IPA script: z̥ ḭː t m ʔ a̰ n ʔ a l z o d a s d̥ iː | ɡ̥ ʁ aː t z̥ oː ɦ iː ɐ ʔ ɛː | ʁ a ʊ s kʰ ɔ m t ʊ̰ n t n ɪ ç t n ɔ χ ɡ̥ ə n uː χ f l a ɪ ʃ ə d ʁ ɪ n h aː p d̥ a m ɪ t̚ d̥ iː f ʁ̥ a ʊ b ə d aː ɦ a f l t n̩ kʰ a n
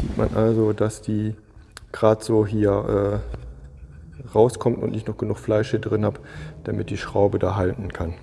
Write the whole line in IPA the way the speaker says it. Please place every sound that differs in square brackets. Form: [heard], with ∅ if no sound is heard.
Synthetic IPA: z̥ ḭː t m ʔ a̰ n ʔ a l z o d a s d̥ iː | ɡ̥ ʁ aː t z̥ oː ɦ iː ɐ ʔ ɛː | ʁ a ʊ s kʰ ɔ m t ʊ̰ n t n ɪ ç t n ɔ χ ɡ̥ ə n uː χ f l a ɪ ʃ ə d ʁ ɪ n h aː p d̥ a m ɪ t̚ d̥ iː [ʃ] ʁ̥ a ʊ b ə d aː ɦ a [∅] l t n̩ kʰ a n